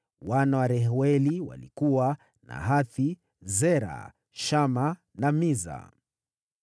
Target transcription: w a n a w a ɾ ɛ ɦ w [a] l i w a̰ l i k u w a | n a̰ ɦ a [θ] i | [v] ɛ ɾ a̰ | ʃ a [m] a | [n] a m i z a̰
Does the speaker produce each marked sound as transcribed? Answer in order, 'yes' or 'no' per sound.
no, yes, no, yes, yes

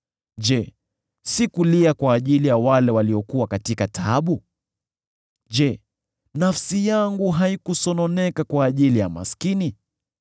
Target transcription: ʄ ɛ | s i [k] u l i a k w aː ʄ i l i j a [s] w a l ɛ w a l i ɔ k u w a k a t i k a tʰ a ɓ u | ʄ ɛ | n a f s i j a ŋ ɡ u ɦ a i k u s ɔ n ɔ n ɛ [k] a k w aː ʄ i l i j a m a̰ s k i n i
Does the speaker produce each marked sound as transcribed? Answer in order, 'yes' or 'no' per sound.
yes, no, yes

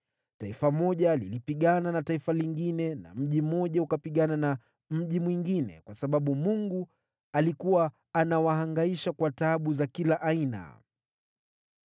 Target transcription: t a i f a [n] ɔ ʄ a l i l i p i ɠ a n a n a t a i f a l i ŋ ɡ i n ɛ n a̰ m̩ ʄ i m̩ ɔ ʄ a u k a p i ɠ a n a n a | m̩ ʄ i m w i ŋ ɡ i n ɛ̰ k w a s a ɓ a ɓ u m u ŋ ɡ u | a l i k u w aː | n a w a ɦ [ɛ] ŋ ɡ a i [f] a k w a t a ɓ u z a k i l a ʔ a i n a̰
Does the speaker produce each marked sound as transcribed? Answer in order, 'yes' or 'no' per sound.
no, no, no

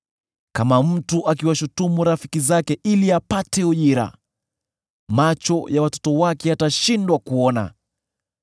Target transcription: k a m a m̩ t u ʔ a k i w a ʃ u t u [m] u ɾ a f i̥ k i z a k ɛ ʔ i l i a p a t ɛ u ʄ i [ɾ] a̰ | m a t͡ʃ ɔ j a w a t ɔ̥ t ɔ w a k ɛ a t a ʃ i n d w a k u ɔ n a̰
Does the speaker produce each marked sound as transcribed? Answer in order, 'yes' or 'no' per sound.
yes, yes

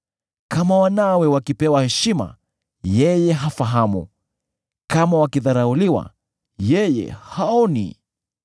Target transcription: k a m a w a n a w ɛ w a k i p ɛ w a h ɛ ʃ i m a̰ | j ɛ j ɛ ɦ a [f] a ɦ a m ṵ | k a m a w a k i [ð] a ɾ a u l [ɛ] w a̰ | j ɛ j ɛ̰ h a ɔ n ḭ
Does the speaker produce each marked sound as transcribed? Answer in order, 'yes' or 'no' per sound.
yes, yes, no

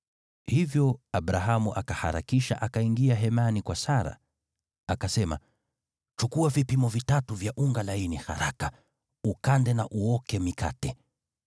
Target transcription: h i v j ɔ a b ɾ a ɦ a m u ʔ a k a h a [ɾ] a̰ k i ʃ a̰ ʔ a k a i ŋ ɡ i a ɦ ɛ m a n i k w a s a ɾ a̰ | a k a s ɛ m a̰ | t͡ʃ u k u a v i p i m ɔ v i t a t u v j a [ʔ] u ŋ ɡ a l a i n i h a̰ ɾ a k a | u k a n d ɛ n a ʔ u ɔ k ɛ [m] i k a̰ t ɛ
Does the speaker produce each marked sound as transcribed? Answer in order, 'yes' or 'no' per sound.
yes, yes, yes

